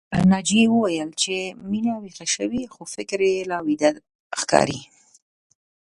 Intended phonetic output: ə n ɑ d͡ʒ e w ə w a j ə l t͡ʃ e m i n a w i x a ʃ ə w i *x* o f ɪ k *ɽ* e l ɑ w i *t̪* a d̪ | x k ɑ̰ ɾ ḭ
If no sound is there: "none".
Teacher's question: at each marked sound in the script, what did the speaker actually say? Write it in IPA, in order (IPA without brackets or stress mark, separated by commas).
x, ɾ, d̪